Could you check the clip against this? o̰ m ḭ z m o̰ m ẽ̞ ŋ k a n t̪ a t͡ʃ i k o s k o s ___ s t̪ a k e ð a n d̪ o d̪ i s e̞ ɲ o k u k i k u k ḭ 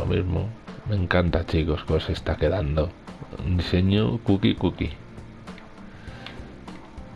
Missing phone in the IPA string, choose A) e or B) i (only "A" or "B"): A